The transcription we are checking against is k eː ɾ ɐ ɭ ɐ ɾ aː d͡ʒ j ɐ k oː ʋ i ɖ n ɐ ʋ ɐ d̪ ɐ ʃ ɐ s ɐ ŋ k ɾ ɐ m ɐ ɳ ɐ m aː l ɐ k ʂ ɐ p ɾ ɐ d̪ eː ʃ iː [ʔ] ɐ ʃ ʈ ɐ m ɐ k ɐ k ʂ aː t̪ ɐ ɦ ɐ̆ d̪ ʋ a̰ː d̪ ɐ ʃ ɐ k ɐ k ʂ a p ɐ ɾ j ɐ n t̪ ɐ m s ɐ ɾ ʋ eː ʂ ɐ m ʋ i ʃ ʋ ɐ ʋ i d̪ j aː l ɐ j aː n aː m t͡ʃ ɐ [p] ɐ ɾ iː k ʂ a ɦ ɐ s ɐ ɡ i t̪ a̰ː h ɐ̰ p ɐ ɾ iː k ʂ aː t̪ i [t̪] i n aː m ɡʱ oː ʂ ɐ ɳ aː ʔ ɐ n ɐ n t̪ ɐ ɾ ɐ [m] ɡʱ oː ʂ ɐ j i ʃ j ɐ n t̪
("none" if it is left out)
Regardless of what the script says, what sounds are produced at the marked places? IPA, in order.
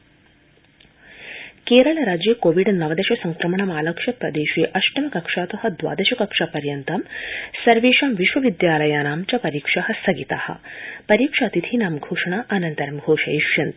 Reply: ʔ, p, t̪ʰ, m

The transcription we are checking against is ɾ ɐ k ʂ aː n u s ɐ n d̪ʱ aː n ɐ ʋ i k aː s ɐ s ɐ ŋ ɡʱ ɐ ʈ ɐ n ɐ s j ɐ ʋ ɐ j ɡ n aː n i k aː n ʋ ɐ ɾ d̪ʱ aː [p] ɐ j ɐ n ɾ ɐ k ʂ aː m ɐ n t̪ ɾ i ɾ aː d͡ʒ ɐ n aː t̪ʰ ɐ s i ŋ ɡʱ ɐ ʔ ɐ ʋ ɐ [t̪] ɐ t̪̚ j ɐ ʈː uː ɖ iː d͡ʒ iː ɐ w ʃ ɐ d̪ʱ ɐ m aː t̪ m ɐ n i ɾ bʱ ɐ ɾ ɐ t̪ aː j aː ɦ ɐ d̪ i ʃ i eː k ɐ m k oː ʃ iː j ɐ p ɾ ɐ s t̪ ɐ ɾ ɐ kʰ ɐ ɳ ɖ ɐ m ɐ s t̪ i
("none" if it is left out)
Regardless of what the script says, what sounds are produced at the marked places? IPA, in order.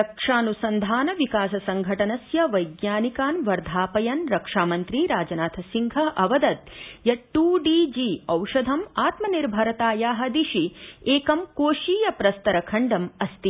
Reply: p, d̪

